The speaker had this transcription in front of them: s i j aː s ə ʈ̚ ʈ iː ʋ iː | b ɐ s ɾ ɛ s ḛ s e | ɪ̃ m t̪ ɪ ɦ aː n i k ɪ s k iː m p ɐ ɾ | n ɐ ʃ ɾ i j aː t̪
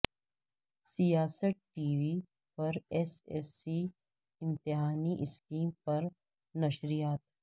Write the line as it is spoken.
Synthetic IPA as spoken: s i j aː s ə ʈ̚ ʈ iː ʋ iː | p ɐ ɾ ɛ s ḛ s i | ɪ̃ m t̪ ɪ ɦ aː n i ʔ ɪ s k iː m p ɐ ɾ | n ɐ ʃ ɾ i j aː t̪